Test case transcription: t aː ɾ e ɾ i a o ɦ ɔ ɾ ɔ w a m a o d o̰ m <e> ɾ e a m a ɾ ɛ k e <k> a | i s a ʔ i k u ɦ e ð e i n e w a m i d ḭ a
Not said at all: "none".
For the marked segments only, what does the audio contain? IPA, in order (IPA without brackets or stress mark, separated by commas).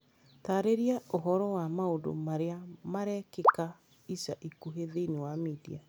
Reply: a, k